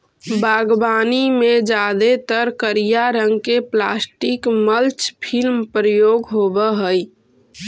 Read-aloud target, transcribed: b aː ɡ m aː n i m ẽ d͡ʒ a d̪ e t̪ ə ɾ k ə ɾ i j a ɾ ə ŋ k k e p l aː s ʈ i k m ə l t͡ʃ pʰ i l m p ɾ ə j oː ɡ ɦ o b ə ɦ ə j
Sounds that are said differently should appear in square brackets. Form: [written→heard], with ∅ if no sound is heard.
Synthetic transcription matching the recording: b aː ɡ [m→b] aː n i m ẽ d͡ʒ a d̪ e t̪ ə ɾ k ə ɾ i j a ɾ ə ŋ [k→ɡ] k e p l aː s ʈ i k m ə l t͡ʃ pʰ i l m p ɾ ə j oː ɡ ɦ o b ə ɦ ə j